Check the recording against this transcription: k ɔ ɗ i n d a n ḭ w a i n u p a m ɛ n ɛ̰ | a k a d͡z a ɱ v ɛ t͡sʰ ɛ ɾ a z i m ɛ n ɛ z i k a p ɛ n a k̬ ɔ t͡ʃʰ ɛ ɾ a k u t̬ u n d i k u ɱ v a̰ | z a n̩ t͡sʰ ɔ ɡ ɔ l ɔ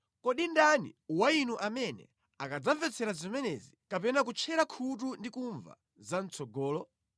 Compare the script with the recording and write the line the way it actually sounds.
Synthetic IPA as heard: k ɔ ɗ i n d a n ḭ w a i n u ʔ a m ɛ n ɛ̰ | a k a d͡z a ɱ v ɛ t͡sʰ ɛ ɾ a z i m ɛ n ɛ z i k a p ɛ n a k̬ u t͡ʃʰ ɛ ɾ a kʰ u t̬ u n d i k u ɱ v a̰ | z a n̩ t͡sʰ ɔ ɡ ɔː l ɔ